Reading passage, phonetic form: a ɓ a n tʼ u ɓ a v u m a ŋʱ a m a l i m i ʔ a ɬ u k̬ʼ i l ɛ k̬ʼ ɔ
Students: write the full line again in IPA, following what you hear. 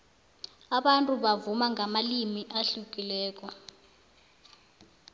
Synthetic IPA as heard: a ɓ a n tʼ u ɓ a v u m a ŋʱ a m a l i m i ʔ a ɬ u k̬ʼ i l ɛː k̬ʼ ɔ